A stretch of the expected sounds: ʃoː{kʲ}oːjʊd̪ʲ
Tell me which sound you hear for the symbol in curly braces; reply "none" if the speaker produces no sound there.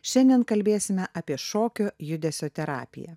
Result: kʲ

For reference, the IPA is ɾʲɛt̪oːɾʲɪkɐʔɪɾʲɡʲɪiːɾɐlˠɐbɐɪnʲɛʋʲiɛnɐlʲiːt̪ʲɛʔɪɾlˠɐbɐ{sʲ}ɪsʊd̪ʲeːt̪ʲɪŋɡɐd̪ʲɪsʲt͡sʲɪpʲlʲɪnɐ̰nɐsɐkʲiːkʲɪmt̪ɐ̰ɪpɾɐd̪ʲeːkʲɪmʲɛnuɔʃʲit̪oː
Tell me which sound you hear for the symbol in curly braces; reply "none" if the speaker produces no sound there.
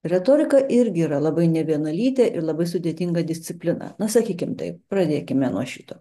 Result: none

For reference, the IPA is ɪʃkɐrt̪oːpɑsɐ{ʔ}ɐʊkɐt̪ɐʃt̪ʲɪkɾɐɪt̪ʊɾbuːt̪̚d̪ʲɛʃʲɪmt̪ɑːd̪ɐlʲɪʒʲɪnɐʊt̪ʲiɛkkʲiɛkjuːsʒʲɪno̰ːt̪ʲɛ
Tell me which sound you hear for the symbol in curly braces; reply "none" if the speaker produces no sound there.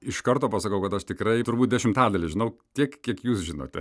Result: k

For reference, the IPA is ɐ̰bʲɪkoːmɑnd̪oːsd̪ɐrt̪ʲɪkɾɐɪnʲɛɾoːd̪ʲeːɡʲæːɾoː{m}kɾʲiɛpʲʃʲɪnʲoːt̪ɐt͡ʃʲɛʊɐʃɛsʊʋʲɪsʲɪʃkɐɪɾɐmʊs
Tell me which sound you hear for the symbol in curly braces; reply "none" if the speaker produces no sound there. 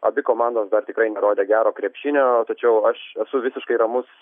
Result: none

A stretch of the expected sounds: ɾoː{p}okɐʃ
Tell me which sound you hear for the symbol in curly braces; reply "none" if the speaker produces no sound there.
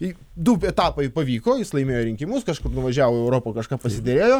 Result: p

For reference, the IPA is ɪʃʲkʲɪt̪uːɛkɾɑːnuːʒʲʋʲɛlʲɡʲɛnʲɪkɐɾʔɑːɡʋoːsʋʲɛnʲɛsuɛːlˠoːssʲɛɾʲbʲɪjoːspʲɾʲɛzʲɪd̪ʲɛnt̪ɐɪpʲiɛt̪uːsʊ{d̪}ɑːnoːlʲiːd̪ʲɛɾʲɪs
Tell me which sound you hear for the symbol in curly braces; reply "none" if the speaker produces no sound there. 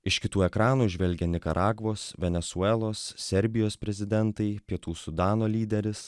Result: d̪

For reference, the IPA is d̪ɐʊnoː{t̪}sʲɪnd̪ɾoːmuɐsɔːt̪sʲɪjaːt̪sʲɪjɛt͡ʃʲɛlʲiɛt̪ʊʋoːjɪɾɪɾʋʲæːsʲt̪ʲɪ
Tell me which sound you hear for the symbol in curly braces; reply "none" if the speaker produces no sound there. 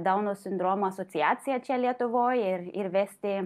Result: none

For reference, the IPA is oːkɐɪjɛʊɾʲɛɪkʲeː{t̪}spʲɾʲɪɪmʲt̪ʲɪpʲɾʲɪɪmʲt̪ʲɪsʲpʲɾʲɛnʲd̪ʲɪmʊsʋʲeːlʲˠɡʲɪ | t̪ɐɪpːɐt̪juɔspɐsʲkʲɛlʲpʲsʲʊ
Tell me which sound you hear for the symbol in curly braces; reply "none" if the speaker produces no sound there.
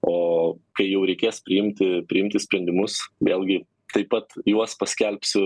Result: none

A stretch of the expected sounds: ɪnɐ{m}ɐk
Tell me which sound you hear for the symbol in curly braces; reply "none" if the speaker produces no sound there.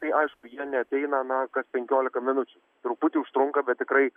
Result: n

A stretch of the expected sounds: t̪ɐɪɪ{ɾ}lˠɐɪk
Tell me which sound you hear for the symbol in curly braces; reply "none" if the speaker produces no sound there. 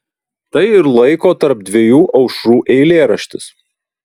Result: ɾ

